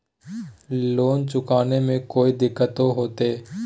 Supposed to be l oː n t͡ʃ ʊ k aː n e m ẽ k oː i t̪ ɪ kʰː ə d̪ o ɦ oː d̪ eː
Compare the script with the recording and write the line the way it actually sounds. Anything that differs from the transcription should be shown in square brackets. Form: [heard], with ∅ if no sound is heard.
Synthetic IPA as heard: l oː n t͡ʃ ʊ k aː n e m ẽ k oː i [d̪] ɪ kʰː ə [t̪] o ɦ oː [t̪] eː